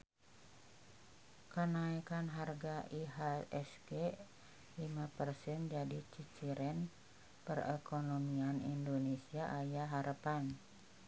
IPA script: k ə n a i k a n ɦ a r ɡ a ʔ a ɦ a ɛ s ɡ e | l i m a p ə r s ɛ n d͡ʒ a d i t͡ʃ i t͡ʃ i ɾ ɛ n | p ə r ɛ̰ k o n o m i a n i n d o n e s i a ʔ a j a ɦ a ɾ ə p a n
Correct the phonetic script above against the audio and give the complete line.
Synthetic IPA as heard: k ə n a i k a n ɦ a r ɡ a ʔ i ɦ a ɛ s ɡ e | l i m a p ə r s ɛ n d͡ʒ a d i t͡ʃ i t͡ʃ i ɾ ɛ n | p ə r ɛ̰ k o n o m i a n i n d o n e s i a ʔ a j a ɦ a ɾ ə p a n